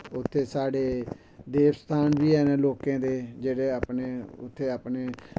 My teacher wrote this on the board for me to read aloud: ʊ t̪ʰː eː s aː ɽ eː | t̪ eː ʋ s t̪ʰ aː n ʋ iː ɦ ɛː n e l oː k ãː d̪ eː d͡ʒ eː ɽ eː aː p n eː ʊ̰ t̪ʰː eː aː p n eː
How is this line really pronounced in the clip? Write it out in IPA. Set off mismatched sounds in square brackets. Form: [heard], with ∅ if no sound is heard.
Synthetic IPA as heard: ʊ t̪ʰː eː s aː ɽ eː | [d̪] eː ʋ s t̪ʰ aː n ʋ iː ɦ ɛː n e l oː k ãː d̪ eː d͡ʒ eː ɽ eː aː p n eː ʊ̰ t̪ʰː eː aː p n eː